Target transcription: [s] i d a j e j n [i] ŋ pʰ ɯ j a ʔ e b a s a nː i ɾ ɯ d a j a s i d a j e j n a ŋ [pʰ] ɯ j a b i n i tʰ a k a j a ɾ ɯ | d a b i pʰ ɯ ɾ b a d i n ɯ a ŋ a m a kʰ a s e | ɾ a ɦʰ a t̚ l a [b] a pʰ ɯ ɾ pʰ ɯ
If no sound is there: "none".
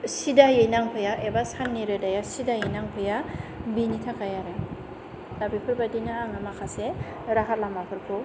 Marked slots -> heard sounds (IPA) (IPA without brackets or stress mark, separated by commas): s, a, pʰ, m